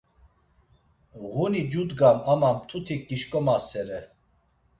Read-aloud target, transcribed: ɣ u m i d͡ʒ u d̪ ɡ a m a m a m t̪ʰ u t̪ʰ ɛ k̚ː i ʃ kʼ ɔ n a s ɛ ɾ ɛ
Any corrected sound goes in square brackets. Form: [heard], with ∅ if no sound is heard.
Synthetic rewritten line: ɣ u [n] i d͡ʒ u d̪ ɡ a m a m a m t̪ʰ u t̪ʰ [i] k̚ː i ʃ kʼ ɔ [m] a s ɛ ɾ ɛ